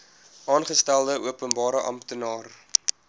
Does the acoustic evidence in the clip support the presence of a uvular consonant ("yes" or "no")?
yes